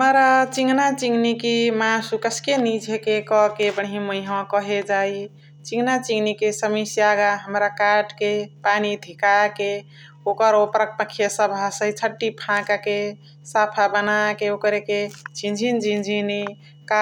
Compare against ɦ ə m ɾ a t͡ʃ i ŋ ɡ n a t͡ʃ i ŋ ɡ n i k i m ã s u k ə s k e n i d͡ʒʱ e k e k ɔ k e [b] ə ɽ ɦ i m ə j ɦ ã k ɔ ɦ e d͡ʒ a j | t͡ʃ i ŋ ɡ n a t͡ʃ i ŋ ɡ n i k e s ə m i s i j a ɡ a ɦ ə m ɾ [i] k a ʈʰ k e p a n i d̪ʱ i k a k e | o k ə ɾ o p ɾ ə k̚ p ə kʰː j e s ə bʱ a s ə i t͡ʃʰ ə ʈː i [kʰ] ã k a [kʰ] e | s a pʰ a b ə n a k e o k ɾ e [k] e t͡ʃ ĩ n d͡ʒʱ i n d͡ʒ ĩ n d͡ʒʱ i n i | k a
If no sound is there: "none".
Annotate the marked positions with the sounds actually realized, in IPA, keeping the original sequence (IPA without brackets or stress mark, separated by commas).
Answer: b, a, pʰ, k, k